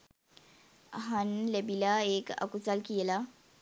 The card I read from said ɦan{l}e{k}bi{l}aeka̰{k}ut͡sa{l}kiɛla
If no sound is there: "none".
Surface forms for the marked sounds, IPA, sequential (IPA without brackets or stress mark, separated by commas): l, none, l, k, l